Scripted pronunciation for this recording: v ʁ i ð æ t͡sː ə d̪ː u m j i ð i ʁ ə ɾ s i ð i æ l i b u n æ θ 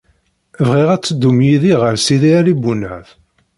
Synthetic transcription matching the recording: v ʁ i ʁ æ t͡sː ə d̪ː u m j i ð i ʁ ə ɾ s i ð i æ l i b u n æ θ

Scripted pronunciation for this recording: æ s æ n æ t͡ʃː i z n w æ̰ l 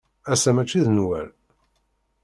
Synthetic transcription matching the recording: æ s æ m æ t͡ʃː i ð n w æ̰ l

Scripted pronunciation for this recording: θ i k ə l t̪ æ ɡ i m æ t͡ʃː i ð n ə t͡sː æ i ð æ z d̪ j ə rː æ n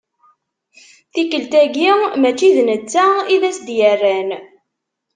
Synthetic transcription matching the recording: θ i k ə l t̪ æ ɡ i m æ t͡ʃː i ð n ə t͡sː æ i ð æ s d̪ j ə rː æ n

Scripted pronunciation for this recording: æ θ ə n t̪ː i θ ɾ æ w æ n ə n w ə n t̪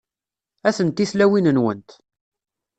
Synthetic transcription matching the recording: æ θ ə n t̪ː i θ l æ w i n ə n w ə n t̪

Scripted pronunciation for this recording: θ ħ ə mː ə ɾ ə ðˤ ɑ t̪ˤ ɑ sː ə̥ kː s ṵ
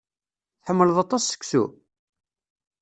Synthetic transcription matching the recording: θ ħ ə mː ə l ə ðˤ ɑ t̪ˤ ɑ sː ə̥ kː s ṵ

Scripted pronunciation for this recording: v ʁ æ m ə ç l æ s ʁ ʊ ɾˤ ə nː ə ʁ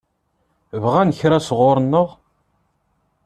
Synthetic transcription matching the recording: v ʁ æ n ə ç ɾ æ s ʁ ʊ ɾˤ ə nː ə ʁ

